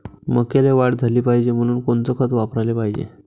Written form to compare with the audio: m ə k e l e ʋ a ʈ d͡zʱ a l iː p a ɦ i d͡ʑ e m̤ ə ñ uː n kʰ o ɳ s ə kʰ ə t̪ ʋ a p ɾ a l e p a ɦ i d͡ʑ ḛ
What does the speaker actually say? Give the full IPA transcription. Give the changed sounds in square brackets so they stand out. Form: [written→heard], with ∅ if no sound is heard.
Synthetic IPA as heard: m ə k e l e ʋ a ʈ d͡zʱ a l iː p a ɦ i d͡ʑ e m̤ ə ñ uː n [kʰ→k] o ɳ [s→t͡s] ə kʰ ə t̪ ʋ a p ɾ a l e p a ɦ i d͡ʑ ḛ